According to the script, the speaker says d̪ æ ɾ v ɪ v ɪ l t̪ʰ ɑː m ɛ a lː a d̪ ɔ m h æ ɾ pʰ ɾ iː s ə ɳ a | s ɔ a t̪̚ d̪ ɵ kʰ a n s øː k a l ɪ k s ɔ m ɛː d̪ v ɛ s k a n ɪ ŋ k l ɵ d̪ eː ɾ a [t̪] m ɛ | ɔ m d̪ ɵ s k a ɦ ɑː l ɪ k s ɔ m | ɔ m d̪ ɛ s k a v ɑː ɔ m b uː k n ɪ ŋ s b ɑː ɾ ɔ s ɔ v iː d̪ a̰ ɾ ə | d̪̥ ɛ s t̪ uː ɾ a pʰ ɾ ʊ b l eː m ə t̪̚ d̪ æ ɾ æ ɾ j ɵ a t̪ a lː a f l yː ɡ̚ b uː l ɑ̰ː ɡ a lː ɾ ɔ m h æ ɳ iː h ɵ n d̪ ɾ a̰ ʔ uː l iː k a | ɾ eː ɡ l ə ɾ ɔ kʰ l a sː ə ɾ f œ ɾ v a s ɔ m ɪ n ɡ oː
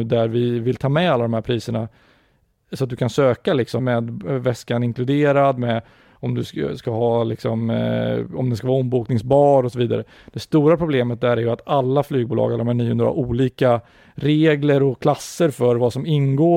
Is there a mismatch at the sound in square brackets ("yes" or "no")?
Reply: yes